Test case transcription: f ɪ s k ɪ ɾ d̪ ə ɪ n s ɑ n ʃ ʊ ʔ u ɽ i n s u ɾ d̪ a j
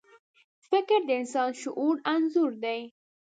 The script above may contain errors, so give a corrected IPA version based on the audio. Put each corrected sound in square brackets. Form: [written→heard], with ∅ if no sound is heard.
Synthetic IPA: f ɪ [s→∅] k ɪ ɾ d̪ ə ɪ n s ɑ n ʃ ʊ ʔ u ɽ [i→a] n [s→z] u ɾ d̪ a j